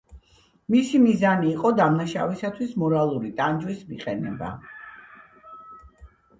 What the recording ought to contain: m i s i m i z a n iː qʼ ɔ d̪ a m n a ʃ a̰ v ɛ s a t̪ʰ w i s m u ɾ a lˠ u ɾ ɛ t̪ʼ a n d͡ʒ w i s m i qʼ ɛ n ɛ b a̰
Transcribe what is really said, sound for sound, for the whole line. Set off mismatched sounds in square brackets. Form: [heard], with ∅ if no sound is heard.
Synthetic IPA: m i s i m i z a n iː qʼ ɔ d̪ a m n a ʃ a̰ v [i] s a t̪ʰ w i s m [ɔ] ɾ a lˠ u ɾ [i] t̪ʼ a n d͡ʒ w i s m i qʼ ɛ n ɛ b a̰